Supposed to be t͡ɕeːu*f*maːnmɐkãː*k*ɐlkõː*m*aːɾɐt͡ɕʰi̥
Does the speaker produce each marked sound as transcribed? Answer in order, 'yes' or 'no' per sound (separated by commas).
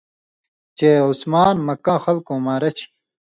no, no, yes